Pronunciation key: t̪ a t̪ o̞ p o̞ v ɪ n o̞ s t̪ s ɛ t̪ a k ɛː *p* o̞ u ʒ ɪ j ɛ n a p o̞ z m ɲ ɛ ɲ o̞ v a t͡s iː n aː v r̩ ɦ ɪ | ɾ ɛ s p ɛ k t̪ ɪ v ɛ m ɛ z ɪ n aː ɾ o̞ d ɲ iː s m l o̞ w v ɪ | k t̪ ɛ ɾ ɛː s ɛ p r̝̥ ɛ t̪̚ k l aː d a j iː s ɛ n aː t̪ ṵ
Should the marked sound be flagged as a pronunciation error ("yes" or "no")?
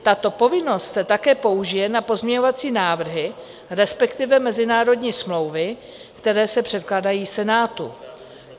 no